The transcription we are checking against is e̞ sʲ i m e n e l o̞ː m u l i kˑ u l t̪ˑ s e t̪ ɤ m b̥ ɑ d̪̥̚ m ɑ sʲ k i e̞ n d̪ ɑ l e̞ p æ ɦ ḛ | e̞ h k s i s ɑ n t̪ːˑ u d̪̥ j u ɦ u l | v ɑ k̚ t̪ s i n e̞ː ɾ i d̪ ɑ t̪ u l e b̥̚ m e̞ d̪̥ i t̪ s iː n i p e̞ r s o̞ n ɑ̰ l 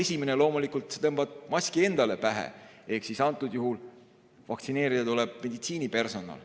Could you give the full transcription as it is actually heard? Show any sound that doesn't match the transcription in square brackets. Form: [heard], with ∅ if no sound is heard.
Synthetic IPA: e̞ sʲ i m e n e l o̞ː m u l i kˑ u l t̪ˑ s e t̪ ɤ m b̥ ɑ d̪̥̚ m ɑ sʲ k i e̞ n d̪ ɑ l e̞ p æ ɦ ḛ | e̞ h k s i s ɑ n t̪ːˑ u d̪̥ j u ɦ u l | v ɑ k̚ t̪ s i n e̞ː ɾ i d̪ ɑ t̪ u l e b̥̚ m e̞ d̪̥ i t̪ s iː n i p e̞ r s o̞ n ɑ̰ l